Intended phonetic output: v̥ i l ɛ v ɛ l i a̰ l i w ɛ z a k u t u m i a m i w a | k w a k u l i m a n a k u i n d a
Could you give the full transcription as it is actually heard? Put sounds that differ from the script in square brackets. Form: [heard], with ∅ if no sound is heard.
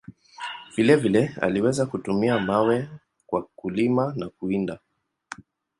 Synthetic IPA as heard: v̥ i l ɛ v [i] l [ɛ] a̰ l i w ɛ z a k u t u m i a m [a] w [ɛ] | k w a k u l i m a n a k u i n d a